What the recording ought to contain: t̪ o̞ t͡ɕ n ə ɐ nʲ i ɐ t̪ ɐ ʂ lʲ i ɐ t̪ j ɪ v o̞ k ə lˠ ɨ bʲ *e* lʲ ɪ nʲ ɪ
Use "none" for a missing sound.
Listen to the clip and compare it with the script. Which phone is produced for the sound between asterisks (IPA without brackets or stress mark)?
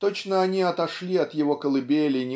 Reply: e